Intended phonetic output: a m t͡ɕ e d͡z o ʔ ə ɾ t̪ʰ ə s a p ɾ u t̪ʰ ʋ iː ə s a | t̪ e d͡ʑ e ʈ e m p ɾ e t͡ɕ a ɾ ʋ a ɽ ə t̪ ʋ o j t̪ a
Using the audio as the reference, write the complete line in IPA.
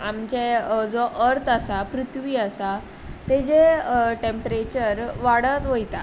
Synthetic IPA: a m t͡ɕ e d͡z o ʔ ə ɾ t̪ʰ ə s a p ɾ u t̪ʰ ʋ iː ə s a | t̪ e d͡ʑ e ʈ e m p ɾ e t͡ɕ ə ɾ ʋ a ɽ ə t̪ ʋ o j t̪ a